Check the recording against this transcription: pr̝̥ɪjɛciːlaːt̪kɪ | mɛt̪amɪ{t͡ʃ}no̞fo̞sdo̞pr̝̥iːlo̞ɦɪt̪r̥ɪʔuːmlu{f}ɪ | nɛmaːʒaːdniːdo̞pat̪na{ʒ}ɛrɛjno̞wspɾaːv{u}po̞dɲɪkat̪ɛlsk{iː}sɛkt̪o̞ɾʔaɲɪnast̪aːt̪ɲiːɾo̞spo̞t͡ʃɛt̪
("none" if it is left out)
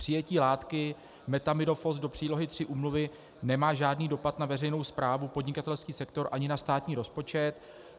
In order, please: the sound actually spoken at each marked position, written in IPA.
none, v, v, u, iː

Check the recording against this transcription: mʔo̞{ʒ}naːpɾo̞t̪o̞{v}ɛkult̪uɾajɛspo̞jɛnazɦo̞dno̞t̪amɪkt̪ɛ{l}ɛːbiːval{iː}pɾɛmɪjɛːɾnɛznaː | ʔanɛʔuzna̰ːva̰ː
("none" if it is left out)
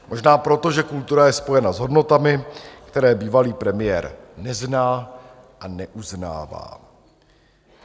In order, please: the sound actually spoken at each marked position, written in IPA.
ʒ, ʒ, ɾ, iː

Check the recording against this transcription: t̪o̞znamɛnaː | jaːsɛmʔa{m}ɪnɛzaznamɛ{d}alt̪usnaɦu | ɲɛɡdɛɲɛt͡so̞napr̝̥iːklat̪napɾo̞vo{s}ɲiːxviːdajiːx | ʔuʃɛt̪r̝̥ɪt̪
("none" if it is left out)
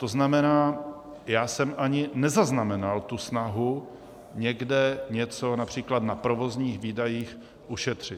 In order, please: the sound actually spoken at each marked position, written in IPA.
ɲ, n, z

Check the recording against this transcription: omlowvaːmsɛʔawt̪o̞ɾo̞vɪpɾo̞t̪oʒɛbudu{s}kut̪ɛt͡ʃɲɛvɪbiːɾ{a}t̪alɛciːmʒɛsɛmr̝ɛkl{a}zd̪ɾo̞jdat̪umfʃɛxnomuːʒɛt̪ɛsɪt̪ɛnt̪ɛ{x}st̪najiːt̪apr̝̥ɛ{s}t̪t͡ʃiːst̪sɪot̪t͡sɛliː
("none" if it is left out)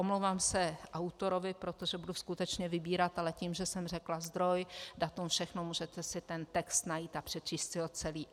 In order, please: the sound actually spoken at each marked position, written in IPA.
s, a, a, k, none

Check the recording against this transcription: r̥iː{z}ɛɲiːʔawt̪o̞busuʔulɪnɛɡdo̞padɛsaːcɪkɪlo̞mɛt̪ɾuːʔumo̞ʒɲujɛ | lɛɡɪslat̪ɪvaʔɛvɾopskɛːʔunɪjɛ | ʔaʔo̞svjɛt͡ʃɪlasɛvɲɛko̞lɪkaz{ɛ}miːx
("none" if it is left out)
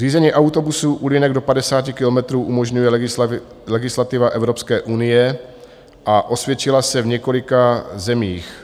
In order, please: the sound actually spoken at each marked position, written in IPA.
z, ɛ

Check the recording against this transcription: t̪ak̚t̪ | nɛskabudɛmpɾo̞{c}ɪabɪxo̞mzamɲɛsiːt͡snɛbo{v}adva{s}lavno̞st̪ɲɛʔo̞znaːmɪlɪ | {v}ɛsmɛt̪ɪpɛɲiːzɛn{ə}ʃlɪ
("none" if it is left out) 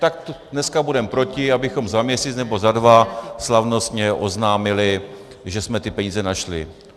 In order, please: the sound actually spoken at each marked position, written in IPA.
c, z, s, ʒ, a

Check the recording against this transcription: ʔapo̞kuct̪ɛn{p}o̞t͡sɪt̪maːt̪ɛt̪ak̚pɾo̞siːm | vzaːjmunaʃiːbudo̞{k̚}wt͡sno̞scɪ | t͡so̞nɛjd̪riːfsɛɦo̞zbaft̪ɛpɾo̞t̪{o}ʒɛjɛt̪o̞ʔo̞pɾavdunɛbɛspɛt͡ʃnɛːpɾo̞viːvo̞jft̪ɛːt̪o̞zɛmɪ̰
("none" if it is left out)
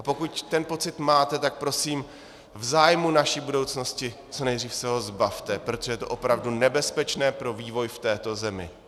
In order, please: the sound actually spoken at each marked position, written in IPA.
p, none, o

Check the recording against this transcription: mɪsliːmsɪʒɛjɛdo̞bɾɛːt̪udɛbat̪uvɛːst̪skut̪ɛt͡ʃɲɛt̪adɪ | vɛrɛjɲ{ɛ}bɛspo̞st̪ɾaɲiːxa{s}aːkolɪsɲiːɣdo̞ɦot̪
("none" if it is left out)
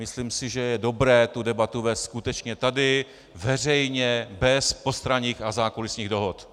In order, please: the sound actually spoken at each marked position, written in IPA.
ɛ, z

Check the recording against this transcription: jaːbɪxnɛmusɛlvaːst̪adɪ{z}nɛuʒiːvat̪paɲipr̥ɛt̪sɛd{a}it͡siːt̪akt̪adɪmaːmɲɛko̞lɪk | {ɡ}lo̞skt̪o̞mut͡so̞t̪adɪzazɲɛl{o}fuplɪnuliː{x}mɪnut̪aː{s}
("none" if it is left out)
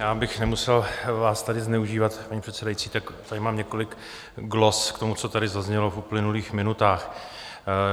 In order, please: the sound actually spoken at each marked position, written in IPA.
z, a, ɡ, o, x, x

